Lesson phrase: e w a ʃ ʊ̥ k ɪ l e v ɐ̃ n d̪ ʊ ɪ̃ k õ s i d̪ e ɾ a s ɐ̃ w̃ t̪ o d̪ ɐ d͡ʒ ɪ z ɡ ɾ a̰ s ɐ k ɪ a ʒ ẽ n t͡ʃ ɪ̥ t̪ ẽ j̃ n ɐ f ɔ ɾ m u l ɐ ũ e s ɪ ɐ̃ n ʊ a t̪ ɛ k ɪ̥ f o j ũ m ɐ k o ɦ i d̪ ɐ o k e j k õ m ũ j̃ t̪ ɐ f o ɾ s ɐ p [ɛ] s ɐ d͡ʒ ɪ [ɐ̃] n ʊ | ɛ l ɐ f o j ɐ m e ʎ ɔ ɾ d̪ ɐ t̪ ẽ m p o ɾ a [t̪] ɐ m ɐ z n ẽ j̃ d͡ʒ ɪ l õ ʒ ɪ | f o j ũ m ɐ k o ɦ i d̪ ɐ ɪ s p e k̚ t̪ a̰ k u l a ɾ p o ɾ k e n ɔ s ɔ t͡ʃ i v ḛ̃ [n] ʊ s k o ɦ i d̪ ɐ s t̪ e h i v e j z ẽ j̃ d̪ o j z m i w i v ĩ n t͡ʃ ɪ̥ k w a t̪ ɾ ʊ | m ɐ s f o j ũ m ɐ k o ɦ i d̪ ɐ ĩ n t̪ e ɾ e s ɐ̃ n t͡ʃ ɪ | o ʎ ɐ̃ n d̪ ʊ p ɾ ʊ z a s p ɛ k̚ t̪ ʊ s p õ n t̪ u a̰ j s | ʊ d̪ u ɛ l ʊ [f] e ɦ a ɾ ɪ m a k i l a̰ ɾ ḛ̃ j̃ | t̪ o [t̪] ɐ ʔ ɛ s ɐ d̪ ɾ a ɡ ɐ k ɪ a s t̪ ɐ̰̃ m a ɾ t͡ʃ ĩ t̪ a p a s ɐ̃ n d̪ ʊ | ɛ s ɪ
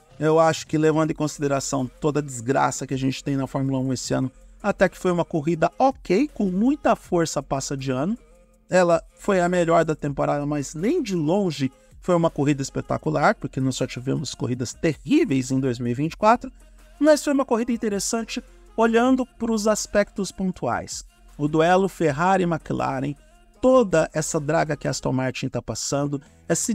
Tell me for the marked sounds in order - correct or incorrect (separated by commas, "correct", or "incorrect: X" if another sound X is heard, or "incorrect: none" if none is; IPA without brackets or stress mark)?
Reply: incorrect: a, correct, incorrect: d̪, incorrect: m, correct, incorrect: d̪